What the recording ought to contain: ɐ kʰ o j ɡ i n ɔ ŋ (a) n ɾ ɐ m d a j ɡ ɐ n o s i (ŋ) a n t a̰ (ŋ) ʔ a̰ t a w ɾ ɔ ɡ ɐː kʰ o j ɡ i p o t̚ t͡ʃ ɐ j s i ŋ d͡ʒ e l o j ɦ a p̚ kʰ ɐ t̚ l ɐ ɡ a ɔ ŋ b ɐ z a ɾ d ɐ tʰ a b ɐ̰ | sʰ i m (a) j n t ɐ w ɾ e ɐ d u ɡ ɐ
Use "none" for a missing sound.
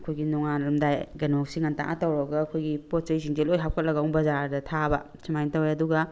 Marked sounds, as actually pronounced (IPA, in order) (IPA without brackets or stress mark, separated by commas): a, ŋ, ŋ, a